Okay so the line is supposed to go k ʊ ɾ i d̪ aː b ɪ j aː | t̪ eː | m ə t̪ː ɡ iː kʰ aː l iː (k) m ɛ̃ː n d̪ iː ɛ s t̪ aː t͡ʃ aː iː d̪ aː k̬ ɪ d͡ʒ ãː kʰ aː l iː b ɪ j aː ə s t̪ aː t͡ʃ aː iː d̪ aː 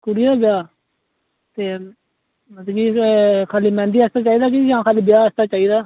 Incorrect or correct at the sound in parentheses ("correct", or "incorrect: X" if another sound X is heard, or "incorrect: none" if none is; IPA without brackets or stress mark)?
incorrect: none